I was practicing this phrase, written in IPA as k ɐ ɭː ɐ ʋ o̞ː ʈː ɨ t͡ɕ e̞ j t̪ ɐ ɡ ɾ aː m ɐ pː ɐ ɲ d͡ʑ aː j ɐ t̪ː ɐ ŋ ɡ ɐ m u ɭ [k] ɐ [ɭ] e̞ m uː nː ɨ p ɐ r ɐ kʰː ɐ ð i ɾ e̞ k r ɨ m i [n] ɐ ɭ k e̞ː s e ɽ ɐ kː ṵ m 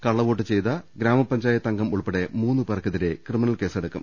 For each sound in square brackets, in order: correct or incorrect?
incorrect: p, incorrect: ɽ, correct

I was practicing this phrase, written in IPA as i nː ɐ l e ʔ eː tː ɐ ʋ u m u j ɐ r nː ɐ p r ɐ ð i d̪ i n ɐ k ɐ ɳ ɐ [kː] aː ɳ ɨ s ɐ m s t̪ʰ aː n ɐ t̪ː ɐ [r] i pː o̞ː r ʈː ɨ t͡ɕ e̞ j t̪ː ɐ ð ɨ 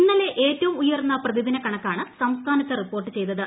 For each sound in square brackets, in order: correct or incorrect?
correct, correct

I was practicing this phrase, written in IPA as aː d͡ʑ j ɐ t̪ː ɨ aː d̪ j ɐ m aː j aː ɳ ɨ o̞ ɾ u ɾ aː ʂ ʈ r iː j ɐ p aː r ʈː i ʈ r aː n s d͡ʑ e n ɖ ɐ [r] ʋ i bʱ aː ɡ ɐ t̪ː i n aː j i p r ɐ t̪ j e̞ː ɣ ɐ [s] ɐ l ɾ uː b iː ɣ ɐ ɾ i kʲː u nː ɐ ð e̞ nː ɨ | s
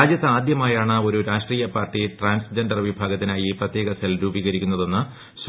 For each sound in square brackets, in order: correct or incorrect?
correct, correct

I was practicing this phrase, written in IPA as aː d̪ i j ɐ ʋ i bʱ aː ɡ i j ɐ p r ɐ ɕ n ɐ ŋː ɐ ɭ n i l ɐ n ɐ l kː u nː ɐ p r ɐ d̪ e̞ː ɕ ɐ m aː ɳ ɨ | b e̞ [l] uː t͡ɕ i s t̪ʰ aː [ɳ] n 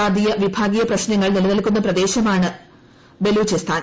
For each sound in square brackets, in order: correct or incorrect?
correct, incorrect: none

